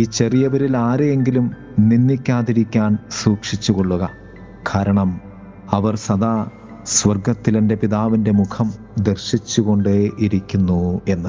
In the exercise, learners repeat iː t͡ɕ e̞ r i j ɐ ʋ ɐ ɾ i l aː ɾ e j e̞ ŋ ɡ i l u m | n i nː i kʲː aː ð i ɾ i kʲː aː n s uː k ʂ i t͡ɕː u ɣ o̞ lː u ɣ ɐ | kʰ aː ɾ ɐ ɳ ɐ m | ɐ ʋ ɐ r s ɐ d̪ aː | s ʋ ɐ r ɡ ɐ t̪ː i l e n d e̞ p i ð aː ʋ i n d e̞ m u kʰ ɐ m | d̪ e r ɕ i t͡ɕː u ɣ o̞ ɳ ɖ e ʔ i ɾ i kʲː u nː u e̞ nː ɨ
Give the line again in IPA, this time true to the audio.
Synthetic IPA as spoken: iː t͡ɕ e̞ r i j ɐ ʋ ɐ ɾ i l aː ɾ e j e̞ ŋ ɡ i l u m | n i nː i kʲː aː ð i ɾ i kʲː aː n s uː k ʂ i t͡ɕː u ɣ o̞ ɭː u ɣ ɐ | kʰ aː ɾ ɐ ɳ ɐ m | ɐ ʋ ɐ r s ɐ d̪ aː | s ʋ ɐ r ɡ ɐ t̪ː i l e n d e̞ p i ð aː ʋ i n d e̞ m u kʰ ɐ m | d̪ e r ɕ i t͡ɕː u ɣ o̞ ɳ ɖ e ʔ i ɾ i kʲː u nː u e̞ nː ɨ